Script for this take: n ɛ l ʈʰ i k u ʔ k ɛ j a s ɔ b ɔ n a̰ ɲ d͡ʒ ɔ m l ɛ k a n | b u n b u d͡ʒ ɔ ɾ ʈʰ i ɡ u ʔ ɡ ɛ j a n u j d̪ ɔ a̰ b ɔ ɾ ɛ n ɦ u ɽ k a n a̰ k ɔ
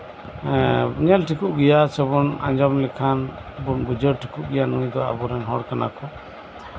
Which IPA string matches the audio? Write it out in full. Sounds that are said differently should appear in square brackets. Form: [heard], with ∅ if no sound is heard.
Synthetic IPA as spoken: [ɲ] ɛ l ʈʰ i k u ʔ [ɡ] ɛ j a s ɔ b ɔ n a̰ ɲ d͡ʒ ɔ m l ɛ [kʰ] a n | b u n b u d͡ʒ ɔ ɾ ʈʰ i [k] u ʔ ɡ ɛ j a n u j d̪ ɔ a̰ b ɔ ɾ ɛ n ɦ [ɔ] ɽ k a n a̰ k ɔ